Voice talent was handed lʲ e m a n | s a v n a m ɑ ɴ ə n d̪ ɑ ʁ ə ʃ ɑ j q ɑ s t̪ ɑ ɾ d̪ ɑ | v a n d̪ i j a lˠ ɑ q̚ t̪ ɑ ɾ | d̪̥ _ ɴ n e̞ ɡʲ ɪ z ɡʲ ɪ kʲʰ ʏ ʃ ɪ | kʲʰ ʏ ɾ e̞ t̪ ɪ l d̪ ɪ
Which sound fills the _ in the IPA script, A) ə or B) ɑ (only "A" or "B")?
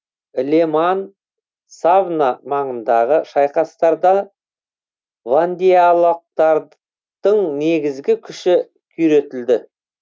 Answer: A